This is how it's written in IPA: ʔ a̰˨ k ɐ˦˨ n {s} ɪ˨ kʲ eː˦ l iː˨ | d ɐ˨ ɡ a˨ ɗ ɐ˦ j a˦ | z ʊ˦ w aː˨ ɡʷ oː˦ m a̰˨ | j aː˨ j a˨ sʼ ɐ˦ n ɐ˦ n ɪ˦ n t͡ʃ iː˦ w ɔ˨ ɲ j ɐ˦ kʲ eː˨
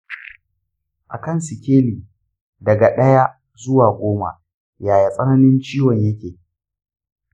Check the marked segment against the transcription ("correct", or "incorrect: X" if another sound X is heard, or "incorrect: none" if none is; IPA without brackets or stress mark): correct